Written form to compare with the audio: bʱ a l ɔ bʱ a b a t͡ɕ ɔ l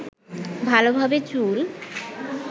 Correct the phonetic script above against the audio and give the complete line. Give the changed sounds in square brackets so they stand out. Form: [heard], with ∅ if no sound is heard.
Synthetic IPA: bʱ a l [o] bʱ a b [e] t͡ɕ [u] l

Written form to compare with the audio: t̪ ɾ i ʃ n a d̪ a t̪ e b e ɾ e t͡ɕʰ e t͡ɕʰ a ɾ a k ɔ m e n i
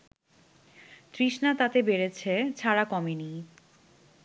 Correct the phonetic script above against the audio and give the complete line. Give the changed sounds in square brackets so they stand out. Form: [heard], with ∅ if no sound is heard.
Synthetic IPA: t̪ ɾ i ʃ n a [t̪] a t̪ e b e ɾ e t͡ɕʰ e t͡ɕʰ a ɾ a k ɔ m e n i

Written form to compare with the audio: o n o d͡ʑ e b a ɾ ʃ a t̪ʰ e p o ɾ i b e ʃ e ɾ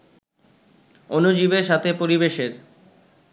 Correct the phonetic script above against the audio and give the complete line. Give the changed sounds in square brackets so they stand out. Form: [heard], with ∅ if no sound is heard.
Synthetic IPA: o n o d͡ʑ [i] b [e] ɾ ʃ a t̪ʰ e p o ɾ i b e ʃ e ɾ

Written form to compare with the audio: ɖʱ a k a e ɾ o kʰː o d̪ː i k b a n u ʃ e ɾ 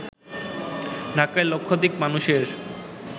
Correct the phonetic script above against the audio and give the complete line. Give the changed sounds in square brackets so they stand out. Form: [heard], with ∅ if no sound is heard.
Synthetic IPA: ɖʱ a k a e [l] o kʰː o [d̪] i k [m] a n u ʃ e ɾ

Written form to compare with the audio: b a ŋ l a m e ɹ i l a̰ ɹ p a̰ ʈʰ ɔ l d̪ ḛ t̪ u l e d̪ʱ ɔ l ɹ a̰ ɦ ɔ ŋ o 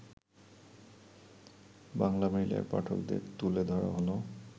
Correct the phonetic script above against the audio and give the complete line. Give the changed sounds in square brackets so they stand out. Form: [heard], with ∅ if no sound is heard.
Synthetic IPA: b a ŋ l a m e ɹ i l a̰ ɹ p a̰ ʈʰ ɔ l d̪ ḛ t̪ u l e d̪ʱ ɔ [∅] ɹ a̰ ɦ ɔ [n] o

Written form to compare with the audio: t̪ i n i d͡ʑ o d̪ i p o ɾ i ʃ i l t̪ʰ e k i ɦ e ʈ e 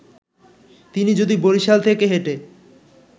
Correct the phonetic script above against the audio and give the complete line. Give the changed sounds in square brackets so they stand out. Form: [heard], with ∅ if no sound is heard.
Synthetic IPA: t̪ i n i d͡ʑ o d̪ i [b] o ɾ i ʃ [a] l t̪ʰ e k [e] ɦ e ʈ e

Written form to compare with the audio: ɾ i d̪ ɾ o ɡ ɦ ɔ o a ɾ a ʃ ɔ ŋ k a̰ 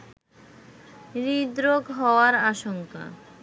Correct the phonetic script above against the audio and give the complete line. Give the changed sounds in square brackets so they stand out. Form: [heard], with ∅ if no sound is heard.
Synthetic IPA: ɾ i d̪ ɾ o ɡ ɦ ɔ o a ɾ a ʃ [o] ŋ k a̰

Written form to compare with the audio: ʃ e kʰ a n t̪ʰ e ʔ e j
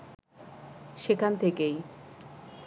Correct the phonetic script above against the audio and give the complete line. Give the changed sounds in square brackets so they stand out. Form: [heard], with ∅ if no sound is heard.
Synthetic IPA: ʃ e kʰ a n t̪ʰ e [k] e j

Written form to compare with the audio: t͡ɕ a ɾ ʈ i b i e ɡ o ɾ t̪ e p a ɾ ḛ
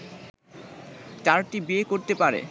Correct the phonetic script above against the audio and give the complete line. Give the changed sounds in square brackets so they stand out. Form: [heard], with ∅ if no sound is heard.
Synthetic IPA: t͡ɕ a ɾ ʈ i b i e [k] o ɾ t̪ e p a ɾ ḛ

